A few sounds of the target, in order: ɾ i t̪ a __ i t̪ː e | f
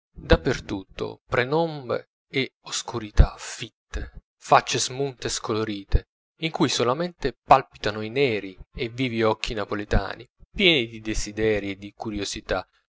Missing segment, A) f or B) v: A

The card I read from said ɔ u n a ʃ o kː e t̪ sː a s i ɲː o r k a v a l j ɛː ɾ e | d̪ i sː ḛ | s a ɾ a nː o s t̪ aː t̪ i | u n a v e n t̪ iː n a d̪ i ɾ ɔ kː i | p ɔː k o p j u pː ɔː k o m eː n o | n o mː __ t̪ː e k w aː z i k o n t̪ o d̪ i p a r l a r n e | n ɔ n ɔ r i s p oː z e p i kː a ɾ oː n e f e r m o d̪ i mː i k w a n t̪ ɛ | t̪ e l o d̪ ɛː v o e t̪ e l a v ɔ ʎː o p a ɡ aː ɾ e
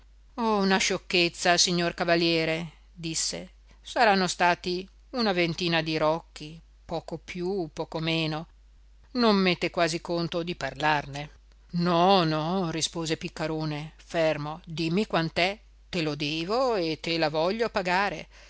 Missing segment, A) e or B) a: A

